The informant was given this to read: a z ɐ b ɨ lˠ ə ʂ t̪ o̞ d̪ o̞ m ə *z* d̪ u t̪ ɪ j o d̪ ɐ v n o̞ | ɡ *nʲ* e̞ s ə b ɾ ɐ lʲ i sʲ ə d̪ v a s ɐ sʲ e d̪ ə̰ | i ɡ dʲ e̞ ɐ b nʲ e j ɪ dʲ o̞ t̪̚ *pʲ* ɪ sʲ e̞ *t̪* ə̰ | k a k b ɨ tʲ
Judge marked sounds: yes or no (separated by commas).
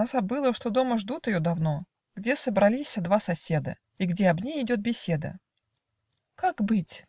no, no, no, no